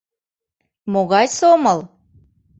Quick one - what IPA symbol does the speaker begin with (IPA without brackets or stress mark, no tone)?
m